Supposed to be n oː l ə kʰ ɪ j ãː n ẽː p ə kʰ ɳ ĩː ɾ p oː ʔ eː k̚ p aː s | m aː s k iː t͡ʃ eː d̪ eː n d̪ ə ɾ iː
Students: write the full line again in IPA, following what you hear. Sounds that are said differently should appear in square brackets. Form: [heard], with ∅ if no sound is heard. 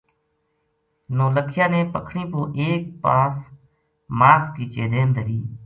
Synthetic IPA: n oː l ə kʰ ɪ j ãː n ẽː p ə kʰ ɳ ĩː [∅] p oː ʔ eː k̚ p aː s | m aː s k iː t͡ʃ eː d̪ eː n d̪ ə ɾ iː